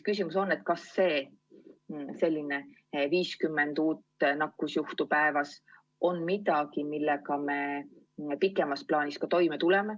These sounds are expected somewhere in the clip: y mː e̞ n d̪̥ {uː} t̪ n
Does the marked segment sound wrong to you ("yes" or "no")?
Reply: no